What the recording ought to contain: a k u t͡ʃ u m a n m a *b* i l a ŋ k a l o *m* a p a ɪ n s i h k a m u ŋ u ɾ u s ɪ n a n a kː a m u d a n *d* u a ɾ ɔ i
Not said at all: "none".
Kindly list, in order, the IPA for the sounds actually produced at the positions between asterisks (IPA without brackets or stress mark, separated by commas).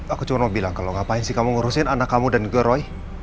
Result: b, ŋ, ɡ